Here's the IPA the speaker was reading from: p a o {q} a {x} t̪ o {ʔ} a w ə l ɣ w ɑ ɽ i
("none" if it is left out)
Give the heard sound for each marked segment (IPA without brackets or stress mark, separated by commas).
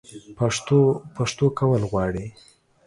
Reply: p, ʂ, k